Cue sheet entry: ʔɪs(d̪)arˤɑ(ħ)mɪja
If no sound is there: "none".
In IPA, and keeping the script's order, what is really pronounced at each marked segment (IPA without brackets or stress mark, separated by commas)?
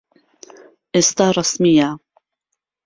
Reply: t̪, s